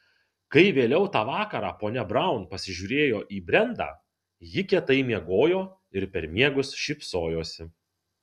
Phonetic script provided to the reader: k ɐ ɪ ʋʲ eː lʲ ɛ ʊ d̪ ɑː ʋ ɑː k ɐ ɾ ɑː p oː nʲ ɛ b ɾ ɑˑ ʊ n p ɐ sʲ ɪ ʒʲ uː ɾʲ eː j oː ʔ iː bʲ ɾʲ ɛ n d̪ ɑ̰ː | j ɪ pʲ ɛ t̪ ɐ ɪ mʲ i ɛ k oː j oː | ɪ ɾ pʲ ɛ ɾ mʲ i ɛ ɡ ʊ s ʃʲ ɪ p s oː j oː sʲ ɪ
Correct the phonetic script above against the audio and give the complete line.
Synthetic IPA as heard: k ɐ ɪ ʋʲ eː lʲ ɛ ʊ t̪ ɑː ʋ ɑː k ɐ ɾ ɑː p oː nʲ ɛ b ɾ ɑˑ ʊ n p ɐ sʲ ɪ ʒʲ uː ɾʲ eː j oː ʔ iː bʲ ɾʲ ɛ n d̪ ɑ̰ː | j ɪ kʲ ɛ t̪ ɐ ɪ mʲ i ɛ ɡ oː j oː | ɪ ɾ pʲ ɛ ɾ mʲ i ɛ ɡ ʊ s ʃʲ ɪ p s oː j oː sʲ ɪ